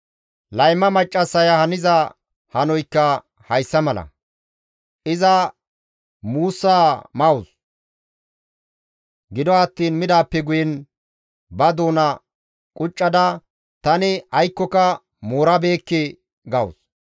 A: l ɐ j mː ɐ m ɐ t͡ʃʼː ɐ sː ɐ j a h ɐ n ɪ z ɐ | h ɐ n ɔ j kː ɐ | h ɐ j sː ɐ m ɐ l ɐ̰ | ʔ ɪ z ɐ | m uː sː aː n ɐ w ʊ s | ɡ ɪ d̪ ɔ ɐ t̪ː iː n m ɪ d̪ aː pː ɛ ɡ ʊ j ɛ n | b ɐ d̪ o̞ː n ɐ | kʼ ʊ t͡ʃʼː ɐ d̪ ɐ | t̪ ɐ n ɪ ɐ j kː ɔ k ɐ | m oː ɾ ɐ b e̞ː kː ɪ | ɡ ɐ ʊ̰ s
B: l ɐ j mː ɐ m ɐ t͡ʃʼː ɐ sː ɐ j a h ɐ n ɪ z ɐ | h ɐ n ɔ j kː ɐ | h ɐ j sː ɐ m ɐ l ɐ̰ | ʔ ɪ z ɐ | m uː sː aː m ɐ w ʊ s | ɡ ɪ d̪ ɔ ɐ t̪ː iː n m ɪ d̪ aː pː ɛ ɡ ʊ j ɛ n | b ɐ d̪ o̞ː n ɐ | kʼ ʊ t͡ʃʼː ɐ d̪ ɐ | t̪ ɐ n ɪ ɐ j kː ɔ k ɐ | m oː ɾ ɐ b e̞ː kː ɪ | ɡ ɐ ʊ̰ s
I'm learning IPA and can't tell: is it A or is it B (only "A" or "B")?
B